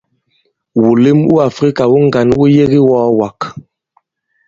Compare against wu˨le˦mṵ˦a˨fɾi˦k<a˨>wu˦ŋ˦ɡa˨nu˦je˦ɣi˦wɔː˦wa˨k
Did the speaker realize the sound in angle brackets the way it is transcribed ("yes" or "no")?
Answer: yes